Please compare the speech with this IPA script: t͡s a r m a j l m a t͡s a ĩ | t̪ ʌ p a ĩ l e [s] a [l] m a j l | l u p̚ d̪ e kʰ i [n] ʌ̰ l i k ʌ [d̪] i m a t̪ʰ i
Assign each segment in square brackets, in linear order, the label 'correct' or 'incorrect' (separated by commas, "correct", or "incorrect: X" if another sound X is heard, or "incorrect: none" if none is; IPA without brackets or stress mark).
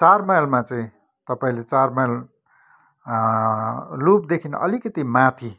incorrect: t͡s, incorrect: r, correct, incorrect: t̪